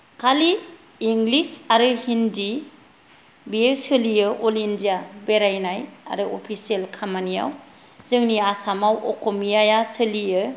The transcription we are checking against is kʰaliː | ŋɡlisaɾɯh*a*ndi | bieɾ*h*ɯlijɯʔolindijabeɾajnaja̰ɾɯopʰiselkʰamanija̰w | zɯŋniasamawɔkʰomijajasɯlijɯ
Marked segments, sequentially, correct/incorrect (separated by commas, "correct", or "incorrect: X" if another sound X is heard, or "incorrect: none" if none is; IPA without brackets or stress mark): incorrect: i, incorrect: s